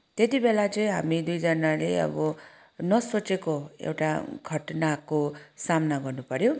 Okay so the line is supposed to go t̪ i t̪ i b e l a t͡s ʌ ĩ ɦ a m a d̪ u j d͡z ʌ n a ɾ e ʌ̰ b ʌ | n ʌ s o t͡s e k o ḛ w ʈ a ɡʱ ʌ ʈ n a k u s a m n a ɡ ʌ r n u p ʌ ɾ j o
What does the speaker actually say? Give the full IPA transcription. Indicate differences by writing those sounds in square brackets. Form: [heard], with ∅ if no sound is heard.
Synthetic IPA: t̪ [e] t̪ i b e l a t͡s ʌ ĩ ɦ a m [i] d̪ u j d͡z ʌ n a [l] e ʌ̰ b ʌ | n ʌ s o t͡s e k o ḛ w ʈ a ɡʱ ʌ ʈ n a k [o] s a m n a ɡ ʌ r n u p ʌ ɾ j o